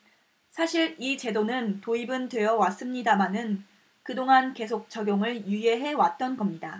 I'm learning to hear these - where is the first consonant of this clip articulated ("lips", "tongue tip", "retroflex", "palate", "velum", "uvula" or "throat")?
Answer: tongue tip